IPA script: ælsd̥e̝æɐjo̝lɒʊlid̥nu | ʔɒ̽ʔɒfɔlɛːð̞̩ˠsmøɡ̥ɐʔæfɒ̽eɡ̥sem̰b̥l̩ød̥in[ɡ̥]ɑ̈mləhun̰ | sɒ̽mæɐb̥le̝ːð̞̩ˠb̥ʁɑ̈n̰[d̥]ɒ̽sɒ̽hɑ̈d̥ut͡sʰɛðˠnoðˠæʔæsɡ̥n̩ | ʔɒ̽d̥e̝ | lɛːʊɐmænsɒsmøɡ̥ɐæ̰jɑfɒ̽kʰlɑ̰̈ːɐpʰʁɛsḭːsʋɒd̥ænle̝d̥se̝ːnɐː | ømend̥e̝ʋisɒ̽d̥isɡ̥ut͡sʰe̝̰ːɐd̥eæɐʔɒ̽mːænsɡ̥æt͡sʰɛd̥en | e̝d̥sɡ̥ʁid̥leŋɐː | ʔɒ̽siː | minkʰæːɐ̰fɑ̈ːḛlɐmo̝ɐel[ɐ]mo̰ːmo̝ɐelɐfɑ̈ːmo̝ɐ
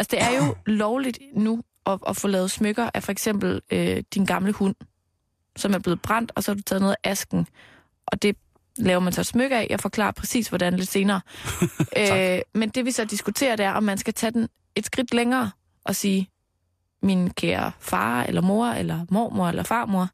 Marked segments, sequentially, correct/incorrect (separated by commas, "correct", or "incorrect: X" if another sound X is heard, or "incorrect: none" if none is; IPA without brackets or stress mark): correct, correct, correct